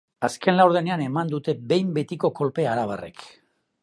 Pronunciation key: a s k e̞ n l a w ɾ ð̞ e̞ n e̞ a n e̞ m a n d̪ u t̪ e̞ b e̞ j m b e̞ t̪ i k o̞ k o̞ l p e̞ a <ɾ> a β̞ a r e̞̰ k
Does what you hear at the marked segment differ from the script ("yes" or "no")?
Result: no